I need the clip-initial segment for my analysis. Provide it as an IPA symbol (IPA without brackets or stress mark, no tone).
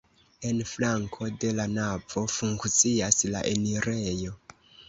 e̞